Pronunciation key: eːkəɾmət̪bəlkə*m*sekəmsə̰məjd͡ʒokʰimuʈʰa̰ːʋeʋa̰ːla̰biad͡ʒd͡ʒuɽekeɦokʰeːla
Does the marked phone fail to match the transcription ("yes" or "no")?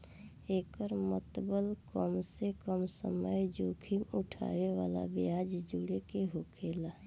no